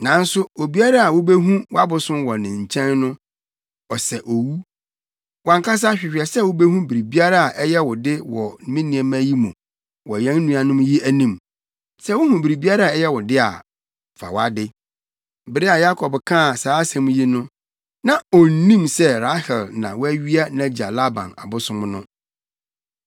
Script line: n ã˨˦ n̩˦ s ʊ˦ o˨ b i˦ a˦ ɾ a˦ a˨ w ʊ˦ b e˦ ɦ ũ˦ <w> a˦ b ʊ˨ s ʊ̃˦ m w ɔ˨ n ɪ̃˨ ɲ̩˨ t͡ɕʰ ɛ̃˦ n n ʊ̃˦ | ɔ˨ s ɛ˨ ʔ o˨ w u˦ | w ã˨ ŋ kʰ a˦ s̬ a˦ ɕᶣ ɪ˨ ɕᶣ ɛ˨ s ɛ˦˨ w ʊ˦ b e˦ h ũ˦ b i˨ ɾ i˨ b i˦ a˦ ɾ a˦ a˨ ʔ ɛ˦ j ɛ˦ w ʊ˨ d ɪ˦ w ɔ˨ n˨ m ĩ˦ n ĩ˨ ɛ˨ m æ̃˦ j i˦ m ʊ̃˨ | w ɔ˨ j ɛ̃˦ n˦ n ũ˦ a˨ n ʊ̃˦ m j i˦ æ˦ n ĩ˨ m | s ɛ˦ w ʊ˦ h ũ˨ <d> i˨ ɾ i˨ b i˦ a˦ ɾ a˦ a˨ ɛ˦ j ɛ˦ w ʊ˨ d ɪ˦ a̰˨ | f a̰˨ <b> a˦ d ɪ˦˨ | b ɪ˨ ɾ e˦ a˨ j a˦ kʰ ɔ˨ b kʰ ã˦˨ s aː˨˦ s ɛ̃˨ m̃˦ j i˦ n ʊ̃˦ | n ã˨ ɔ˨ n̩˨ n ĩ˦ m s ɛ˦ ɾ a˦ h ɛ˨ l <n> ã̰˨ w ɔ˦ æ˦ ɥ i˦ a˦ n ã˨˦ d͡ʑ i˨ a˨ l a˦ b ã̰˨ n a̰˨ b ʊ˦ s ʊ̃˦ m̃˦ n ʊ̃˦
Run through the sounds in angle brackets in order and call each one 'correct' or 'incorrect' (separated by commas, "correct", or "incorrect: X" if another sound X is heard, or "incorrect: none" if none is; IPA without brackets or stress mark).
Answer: correct, incorrect: b, incorrect: w, correct